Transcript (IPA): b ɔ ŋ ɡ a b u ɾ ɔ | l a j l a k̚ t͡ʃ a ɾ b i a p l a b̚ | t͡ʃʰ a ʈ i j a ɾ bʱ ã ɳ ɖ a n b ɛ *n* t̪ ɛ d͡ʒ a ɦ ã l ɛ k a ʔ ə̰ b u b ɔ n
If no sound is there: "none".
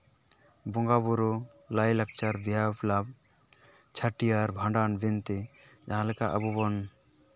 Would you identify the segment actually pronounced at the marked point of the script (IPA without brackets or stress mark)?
n